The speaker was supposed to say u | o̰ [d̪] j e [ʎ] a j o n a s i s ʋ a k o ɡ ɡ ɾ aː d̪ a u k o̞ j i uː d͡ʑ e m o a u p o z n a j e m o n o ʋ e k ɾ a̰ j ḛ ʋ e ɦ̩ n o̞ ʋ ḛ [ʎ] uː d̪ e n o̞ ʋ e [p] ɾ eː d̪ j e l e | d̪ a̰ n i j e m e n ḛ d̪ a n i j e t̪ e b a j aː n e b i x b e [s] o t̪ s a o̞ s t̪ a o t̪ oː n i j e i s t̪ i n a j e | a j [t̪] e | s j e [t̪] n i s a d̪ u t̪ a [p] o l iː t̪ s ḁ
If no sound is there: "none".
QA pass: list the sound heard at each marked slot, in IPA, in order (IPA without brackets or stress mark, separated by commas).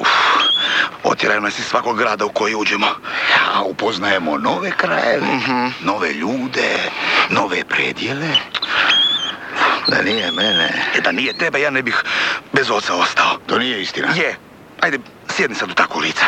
t̪, ɾ, ʎ, p, z, d̪, d̪, k